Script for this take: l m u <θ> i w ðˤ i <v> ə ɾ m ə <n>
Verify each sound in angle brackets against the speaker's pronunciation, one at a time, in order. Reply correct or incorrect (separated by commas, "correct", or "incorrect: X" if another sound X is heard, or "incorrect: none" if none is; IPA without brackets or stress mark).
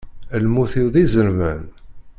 correct, incorrect: z, correct